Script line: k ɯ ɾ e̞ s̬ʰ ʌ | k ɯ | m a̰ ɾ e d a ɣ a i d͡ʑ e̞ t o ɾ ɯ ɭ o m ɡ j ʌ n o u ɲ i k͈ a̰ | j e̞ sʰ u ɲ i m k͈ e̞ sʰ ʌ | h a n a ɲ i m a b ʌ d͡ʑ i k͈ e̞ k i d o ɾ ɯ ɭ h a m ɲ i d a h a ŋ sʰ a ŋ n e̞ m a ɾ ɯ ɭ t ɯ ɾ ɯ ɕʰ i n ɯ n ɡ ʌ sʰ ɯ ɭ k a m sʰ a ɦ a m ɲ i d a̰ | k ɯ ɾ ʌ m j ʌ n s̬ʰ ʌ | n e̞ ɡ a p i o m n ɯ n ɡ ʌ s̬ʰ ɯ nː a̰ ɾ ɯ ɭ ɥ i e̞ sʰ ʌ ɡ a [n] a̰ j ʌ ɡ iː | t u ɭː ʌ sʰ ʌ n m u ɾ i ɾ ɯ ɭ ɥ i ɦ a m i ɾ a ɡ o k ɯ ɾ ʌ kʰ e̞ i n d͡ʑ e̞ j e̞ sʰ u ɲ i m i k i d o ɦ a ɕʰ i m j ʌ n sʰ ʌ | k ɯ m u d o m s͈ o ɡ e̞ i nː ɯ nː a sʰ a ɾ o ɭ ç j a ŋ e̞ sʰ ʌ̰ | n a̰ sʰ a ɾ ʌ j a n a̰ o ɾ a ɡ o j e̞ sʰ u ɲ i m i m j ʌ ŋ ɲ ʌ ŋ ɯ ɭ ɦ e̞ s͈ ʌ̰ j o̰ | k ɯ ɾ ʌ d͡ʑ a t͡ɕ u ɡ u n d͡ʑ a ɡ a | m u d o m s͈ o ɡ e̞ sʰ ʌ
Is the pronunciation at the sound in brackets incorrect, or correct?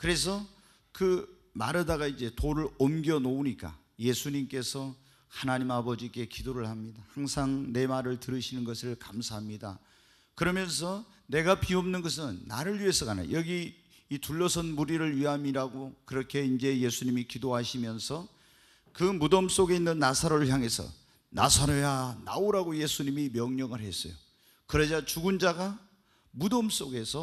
correct